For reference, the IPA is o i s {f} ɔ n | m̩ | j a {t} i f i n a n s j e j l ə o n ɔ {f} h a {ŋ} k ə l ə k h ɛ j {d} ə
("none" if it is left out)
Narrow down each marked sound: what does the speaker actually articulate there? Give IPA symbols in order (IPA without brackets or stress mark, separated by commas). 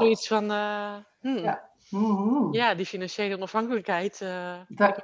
f, d, f, ŋ, t